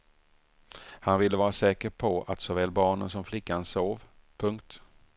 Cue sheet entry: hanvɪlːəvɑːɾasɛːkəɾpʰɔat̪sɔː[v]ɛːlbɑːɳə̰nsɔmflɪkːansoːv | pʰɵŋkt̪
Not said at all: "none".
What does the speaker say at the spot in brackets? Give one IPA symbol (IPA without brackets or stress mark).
v